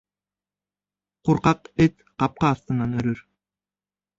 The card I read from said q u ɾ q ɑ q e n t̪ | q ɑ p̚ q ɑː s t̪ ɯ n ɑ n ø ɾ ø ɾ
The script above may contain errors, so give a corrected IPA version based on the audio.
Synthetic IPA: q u ɾ q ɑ q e t̪ | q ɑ p̚ q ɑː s t̪ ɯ n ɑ n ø ɾ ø ɾ